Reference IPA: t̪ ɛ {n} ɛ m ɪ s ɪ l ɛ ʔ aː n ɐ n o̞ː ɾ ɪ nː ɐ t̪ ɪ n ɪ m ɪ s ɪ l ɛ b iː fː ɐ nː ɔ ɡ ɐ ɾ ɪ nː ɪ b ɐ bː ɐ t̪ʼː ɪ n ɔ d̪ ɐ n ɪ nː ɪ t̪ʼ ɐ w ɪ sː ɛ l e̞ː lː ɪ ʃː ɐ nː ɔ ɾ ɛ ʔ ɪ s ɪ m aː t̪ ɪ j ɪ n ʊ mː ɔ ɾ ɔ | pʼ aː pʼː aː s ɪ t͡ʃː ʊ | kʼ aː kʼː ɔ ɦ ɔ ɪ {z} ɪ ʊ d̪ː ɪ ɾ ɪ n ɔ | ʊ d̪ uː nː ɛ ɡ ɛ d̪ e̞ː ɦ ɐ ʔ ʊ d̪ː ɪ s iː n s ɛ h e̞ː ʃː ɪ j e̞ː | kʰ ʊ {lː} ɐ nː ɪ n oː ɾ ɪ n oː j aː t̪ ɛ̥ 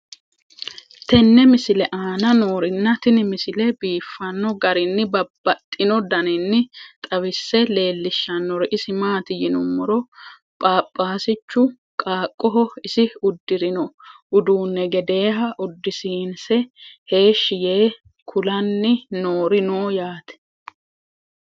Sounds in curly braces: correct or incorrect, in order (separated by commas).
incorrect, incorrect, incorrect